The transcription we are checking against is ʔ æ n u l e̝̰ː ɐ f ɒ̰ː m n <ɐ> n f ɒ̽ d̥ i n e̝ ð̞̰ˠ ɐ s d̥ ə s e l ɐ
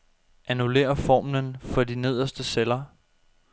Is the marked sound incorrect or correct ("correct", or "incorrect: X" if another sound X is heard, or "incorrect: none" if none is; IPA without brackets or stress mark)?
incorrect: ə